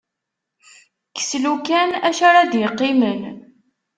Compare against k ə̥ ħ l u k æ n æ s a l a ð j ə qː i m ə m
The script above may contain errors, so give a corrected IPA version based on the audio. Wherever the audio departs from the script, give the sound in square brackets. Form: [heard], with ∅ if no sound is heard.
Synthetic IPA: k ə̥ [s] l u k æ n æ [ʃ] a [ɾ] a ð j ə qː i m ə [n]